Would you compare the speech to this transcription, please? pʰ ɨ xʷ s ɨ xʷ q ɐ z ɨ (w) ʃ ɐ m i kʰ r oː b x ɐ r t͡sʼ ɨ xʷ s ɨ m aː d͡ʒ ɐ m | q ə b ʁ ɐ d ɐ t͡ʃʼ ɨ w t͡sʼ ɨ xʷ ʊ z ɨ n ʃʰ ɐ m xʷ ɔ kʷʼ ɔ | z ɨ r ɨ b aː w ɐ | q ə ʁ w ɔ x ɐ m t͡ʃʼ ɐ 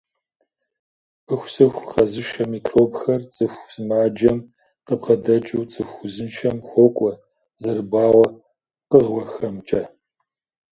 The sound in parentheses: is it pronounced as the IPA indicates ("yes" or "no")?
no